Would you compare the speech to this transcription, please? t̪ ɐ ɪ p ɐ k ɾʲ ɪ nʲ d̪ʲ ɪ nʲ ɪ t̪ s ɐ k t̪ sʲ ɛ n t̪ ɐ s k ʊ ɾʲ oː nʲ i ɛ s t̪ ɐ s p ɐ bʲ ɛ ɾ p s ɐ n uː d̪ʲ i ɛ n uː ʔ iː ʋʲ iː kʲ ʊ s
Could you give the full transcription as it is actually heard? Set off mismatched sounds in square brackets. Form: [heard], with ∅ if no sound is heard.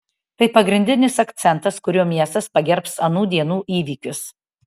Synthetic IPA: t̪ ɐ ɪ p ɐ [ɡ] ɾʲ ɪ nʲ d̪ʲ ɪ nʲ ɪ [∅] s ɐ k t̪ sʲ ɛ n t̪ ɐ s k ʊ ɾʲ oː [mʲ] i ɛ s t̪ ɐ s p ɐ [ɡʲ] ɛ ɾ p s ɐ n uː d̪ʲ i ɛ n uː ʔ iː ʋʲ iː kʲ ʊ s